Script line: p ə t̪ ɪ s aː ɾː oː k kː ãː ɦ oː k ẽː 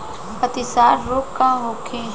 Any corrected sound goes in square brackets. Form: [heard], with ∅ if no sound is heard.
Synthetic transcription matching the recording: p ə t̪ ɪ s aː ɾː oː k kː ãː ɦ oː [kʰ] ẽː